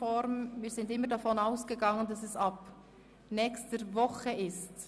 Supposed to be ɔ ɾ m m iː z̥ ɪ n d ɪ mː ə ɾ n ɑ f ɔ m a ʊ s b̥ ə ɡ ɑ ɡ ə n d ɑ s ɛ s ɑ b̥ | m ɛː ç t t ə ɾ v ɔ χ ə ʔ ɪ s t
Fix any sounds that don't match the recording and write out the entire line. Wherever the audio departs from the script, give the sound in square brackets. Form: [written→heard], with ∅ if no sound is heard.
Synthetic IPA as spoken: ɔ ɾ m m iː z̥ ɪ n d ɪ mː ə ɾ [n→d] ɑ f ɔ [m→n] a ʊ s [b̥→ɡ̥] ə ɡ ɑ [ɡ→ŋ] ə n d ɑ s ɛ s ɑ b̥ | [m→n] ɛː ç [t→s] t ə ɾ v ɔ χ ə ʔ ɪ s t